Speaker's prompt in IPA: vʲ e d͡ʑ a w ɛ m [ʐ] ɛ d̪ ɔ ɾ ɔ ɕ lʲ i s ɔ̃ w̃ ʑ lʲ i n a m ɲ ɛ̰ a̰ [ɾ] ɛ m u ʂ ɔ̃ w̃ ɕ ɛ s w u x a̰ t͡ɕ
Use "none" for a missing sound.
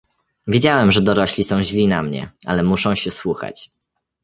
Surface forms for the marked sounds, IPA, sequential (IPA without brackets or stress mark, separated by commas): ʐ, l